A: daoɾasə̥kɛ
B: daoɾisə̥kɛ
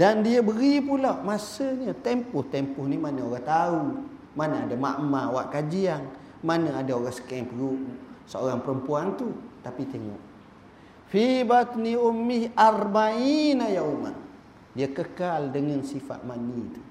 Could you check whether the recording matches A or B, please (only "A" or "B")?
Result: A